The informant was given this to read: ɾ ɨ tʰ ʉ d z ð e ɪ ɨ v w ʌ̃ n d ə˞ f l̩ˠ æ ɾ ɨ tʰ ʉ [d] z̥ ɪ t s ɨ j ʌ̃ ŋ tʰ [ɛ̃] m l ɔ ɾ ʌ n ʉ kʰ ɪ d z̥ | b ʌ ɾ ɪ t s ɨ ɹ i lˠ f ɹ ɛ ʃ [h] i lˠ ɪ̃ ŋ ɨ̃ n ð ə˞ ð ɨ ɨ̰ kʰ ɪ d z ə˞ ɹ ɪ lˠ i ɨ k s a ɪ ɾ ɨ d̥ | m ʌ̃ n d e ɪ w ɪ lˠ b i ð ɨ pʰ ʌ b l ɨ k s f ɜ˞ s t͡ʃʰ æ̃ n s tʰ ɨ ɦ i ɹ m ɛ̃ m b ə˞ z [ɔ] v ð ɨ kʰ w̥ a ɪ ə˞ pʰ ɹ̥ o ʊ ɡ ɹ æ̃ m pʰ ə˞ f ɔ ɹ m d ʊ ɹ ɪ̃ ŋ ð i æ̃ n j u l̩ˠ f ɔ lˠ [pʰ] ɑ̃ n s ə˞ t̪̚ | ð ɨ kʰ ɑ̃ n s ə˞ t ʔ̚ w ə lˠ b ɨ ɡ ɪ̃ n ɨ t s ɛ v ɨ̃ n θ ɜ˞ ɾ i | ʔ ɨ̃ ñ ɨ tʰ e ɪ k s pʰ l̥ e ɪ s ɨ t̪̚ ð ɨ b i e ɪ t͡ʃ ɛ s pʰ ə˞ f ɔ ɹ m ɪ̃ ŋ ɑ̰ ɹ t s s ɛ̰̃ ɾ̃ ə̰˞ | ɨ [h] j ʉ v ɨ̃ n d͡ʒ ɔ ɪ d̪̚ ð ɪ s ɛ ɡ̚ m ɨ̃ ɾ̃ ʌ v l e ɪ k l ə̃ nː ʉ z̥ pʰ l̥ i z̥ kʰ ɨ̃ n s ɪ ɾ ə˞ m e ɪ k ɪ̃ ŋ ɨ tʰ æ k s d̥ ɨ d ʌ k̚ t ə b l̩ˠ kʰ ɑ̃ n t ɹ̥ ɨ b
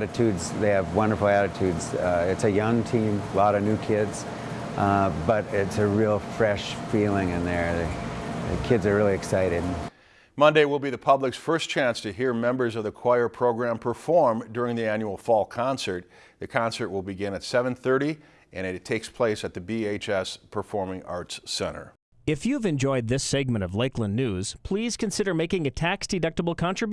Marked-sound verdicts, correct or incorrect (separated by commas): correct, incorrect, incorrect, incorrect, incorrect, incorrect